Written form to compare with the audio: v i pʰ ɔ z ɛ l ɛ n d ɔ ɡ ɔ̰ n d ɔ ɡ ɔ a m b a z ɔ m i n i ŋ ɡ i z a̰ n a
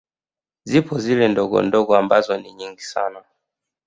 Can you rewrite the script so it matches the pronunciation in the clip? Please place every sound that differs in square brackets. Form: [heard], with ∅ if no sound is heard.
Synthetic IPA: [z] i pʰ ɔ z [i] l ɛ n d ɔ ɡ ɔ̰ n d ɔ ɡ ɔ a m b a z ɔ [n] i [ɲ] i ŋ ɡ i [s] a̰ n a